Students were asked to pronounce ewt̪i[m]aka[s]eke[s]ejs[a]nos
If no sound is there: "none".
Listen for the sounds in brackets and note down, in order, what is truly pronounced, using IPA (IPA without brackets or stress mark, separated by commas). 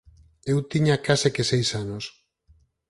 ɲ, s, s, a